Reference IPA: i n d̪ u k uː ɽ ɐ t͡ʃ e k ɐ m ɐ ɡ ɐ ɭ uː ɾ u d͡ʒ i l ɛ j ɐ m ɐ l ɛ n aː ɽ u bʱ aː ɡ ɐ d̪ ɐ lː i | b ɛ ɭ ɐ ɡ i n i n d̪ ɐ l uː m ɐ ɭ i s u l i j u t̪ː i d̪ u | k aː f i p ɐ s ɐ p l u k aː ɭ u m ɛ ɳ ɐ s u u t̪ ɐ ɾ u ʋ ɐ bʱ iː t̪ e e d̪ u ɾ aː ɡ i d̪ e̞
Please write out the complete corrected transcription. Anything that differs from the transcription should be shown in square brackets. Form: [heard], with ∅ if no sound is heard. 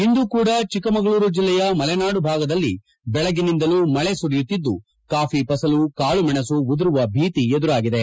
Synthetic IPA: i n d̪ u k uː ɽ ɐ t͡ʃ [i] k ɐ m ɐ ɡ ɐ ɭ uː ɾ u d͡ʒ i [lː] ɛ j ɐ m ɐ l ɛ n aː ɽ u bʱ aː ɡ ɐ d̪ ɐ lː i | b ɛ ɭ ɐ ɡ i n i n d̪ ɐ l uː m ɐ ɭ [e] s u [ɾ] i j u t̪ː i [d̪ː] u | k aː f i p ɐ s ɐ [∅] l u k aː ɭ u m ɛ ɳ ɐ s u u [d̪] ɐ ɾ u ʋ ɐ bʱ iː t̪ [i] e d̪ u ɾ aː ɡ i d̪ e̞

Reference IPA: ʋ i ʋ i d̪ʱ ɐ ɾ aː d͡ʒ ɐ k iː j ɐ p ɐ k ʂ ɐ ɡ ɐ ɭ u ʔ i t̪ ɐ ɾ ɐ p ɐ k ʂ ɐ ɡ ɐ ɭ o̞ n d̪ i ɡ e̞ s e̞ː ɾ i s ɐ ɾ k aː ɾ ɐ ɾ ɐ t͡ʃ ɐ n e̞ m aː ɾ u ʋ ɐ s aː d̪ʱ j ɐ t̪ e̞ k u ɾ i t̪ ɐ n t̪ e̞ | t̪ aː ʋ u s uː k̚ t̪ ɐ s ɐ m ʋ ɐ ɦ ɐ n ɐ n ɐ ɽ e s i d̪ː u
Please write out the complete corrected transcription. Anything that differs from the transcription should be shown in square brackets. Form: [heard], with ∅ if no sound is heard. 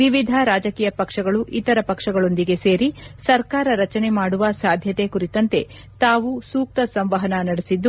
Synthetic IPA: ʋ i ʋ i d̪ʱ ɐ ɾ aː d͡ʒ ɐ k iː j ɐ p ɐ k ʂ ɐ ɡ ɐ ɭ u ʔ i t̪ ɐ ɾ ɐ p ɐ k ʂ ɐ ɡ ɐ ɭ o̞ n d̪ i ɡ e̞ s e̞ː ɾ i s ɐ ɾ k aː ɾ ɐ ɾ ɐ t͡ʃ ɐ n e̞ m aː [ɽ] u ʋ ɐ s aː d̪ʱ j ɐ t̪ e̞ k u ɾ i t̪ ɐ n t̪ e̞ | t̪ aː ʋ u s uː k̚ t̪ ɐ s ɐ m ʋ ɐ ɦ ɐ n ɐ n ɐ ɽ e s i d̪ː u

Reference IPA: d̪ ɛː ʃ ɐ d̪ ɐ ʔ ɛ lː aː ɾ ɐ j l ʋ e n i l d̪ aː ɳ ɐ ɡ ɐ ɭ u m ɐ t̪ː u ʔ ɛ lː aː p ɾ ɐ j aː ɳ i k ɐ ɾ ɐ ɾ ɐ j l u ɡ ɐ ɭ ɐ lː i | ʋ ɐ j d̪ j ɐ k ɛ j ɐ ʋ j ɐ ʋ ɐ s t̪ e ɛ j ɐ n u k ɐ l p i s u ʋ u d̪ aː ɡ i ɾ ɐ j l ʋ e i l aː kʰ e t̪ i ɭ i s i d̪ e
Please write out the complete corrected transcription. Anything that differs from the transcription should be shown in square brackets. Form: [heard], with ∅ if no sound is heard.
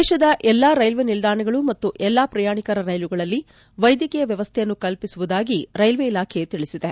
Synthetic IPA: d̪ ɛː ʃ ɐ d̪ ɐ ʔ ɛ lː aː ɾ ɐ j l ʋ e n i l d̪ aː ɳ ɐ ɡ ɐ ɭ u m ɐ t̪ː u ʔ ɛ lː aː p ɾ ɐ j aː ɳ i k ɐ ɾ ɐ ɾ ɐ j l u ɡ ɐ ɭ ɐ lː i | ʋ ɐ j d̪ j ɐ k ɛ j ɐ ʋ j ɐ ʋ ɐ s [t̪ʰ] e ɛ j ɐ [nː] u k ɐ l p i s u ʋ u d̪ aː ɡ i ɾ ɐ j l ʋ e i l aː kʰ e t̪ i ɭ i s i d̪ e

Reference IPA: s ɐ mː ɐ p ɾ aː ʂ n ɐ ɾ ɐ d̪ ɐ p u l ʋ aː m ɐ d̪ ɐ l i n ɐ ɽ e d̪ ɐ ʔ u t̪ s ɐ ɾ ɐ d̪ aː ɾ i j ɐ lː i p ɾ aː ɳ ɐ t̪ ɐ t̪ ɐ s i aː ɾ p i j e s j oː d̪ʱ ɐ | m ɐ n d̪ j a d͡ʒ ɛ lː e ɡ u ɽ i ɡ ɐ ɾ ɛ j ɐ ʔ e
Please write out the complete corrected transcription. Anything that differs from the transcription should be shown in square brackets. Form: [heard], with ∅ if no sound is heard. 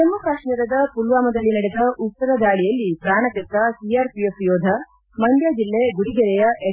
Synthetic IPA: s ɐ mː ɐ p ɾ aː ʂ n ɐ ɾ ɐ d̪ ɐ p u l ʋ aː m ɐ d̪ ɐ [lː] i n ɐ ɽ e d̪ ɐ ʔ u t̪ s ɐ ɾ ɐ d̪ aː [ɭ] i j ɐ lː i p ɾ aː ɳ ɐ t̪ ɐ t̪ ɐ s i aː ɾ p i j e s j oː d̪ʱ ɐ | m ɐ n d̪ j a d͡ʒ [i] lː e ɡ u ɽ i ɡ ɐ ɾ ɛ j ɐ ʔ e

